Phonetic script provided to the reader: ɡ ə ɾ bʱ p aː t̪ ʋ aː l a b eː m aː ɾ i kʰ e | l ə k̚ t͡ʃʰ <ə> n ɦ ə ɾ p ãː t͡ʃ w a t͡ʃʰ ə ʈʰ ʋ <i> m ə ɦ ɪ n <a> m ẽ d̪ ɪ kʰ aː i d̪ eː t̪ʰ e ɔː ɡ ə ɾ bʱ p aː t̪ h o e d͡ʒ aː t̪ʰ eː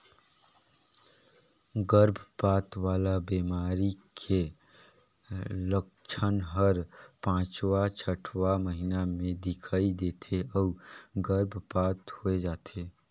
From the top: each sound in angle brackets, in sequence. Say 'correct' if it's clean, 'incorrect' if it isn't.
correct, incorrect: a, correct

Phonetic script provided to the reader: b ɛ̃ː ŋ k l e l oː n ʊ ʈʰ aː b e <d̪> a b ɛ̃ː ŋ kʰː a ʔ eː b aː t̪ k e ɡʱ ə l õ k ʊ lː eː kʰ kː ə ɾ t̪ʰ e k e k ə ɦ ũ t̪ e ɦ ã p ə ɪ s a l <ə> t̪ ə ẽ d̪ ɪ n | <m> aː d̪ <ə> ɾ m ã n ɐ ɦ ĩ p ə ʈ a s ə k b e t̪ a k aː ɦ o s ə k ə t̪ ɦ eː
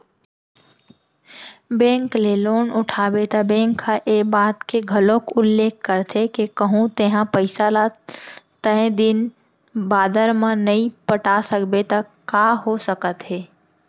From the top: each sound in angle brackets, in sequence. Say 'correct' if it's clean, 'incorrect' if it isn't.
incorrect: t̪, incorrect: a, incorrect: b, correct

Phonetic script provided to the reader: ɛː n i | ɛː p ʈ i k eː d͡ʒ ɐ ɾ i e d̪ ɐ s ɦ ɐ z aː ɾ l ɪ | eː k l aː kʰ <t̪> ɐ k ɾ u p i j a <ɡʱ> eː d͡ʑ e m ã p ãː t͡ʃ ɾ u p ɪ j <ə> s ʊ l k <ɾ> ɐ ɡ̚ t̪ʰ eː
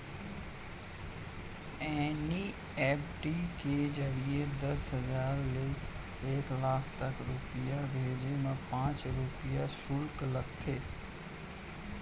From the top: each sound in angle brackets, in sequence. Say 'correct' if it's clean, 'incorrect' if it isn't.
correct, incorrect: bʱ, incorrect: a, incorrect: l

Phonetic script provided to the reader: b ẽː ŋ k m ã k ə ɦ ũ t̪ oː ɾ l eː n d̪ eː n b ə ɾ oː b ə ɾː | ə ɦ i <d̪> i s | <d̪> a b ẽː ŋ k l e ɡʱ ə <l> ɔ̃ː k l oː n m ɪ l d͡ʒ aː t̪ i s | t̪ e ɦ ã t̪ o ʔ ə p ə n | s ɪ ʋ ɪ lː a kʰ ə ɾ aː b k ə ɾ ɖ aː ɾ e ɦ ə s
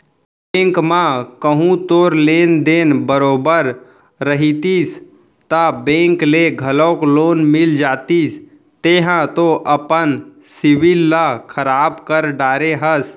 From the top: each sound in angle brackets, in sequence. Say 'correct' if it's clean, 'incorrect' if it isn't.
incorrect: t̪, incorrect: t̪, correct

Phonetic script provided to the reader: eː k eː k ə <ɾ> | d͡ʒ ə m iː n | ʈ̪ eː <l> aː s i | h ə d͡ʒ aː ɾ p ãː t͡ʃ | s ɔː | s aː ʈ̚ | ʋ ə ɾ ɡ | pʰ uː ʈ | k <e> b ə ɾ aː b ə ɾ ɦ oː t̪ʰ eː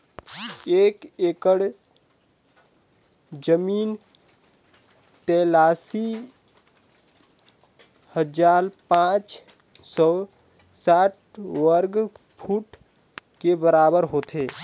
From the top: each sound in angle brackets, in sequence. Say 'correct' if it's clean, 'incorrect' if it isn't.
incorrect: ɽ, correct, correct

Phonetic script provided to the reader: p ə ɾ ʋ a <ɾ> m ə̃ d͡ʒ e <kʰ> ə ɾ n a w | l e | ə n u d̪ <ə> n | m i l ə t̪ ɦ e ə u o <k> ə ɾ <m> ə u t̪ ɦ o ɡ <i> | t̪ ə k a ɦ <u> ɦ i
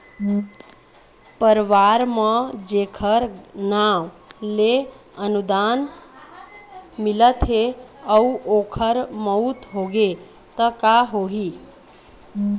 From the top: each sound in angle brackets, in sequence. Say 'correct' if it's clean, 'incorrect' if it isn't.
correct, correct, incorrect: a, incorrect: kʰ, correct, incorrect: e, incorrect: o

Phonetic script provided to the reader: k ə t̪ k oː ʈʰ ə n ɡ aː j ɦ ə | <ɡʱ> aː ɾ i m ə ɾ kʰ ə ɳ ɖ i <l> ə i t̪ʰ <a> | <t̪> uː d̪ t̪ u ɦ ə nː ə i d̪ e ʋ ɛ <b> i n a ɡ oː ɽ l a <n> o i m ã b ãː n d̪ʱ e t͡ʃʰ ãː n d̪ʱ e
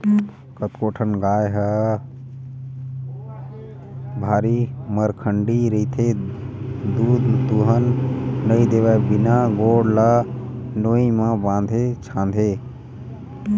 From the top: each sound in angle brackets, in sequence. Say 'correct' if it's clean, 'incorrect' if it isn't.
incorrect: bʱ, incorrect: ɾ, incorrect: e, incorrect: d̪, correct, correct

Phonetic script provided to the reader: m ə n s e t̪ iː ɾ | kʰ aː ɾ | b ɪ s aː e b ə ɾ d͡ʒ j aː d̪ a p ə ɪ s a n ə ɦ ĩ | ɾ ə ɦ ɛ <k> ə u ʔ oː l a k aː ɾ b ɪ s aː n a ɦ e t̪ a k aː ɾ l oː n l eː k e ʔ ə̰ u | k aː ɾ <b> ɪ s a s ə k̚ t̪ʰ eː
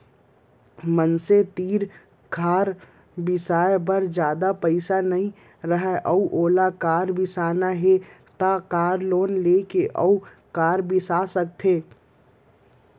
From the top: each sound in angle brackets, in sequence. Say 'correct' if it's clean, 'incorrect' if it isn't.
incorrect: ʔ, correct

